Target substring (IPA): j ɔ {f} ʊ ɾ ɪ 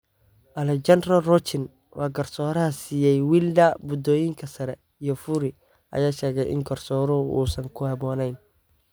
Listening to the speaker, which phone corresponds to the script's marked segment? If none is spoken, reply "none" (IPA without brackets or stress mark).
f